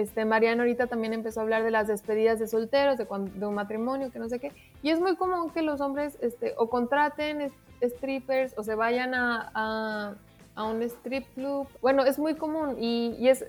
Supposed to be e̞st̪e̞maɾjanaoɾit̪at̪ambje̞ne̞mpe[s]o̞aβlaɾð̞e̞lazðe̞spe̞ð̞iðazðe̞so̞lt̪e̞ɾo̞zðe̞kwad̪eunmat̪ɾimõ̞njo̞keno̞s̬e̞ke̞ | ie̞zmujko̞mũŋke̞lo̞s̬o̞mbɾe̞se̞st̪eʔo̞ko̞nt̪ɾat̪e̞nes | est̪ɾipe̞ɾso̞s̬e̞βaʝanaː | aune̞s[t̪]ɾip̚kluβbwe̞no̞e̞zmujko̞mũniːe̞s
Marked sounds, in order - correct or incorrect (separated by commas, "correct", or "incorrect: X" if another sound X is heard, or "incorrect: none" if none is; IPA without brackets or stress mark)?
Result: correct, correct